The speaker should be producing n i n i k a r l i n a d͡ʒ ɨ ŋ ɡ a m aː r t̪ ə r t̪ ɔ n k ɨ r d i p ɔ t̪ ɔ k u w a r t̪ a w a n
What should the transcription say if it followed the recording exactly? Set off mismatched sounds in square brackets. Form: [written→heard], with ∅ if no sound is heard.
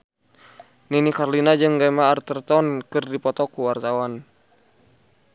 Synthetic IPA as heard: n i n i k a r l i n a d͡ʒ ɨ ŋ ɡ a m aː r t̪ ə r t̪ ɔ n k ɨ r d i p ɔ t̪ ɔ k u w a r t̪ a w a n